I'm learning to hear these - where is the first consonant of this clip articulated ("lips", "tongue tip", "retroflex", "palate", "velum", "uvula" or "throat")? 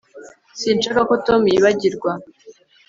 tongue tip